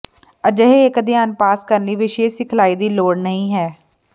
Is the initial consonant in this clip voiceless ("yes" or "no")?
no